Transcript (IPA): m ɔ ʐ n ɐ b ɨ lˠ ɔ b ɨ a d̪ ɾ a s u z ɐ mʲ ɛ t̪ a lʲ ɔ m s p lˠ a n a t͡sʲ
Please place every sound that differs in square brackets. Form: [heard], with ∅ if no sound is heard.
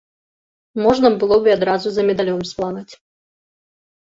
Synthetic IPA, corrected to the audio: m ɔ ʐ n ɐ b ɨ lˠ ɔ b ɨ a d̪ ɾ a [z] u z ɐ mʲ ɛ [d̪] a lʲ ɔ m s p lˠ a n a t͡sʲ